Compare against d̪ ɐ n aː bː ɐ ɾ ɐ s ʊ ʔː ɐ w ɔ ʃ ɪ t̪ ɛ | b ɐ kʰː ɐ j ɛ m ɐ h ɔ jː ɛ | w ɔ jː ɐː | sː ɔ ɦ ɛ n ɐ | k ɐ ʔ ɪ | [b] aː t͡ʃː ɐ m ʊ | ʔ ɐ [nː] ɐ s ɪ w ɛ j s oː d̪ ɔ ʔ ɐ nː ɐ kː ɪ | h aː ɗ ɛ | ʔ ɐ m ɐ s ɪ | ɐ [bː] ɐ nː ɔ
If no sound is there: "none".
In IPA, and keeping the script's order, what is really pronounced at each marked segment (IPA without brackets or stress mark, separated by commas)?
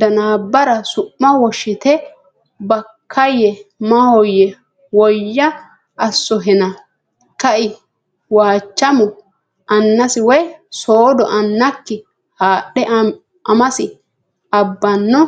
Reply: w, nː, bː